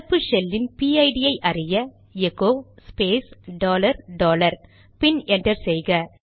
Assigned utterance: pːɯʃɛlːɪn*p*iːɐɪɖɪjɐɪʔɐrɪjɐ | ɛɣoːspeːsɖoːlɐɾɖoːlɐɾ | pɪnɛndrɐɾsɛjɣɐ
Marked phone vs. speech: correct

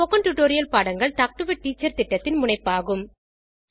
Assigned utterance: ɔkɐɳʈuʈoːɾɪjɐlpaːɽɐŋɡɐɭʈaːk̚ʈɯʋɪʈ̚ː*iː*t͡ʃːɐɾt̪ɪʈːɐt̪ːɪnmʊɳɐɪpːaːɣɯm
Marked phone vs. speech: correct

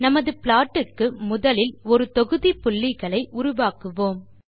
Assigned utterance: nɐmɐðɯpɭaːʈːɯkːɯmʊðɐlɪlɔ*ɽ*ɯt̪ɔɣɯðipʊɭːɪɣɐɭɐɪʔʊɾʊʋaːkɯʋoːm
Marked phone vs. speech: incorrect: ɾ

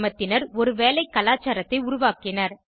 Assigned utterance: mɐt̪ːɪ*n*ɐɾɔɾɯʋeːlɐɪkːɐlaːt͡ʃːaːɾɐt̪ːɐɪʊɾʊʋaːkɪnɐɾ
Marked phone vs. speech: correct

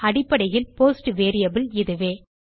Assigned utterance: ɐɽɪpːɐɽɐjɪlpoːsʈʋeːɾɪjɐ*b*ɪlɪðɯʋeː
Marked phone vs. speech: correct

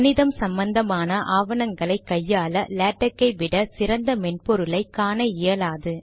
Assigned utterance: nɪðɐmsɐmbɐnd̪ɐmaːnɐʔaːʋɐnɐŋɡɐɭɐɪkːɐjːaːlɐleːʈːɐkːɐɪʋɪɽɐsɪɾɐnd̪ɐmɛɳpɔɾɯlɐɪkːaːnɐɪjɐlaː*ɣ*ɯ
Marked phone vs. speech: incorrect: ð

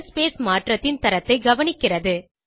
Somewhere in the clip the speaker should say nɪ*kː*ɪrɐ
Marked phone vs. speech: correct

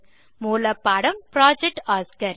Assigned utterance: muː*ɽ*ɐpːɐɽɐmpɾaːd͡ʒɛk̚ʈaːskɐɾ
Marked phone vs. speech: incorrect: l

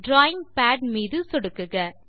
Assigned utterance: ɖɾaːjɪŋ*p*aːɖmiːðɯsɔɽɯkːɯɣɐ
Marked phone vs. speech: correct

